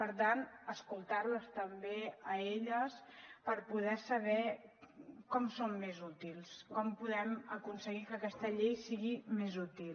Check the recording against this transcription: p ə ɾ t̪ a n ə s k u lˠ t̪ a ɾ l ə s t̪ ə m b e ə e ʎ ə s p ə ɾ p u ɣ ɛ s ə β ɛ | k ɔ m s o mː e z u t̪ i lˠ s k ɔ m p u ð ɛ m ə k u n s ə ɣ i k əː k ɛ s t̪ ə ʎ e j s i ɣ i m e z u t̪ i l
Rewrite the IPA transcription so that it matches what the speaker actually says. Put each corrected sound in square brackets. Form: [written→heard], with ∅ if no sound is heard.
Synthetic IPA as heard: p ə ɾ t̪ a n ə s k u lˠ t̪ a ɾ l ə s t̪ ə m b e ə e ʎ ə s p ə ɾ p u [ɣ→ð] ɛ s ə β ɛ | k ɔ m s o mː e z u t̪ i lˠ s k ɔ m p u ð ɛ m ə k u n s ə ɣ i k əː k ɛ s t̪ ə ʎ e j s i ɣ i m e z u t̪ i l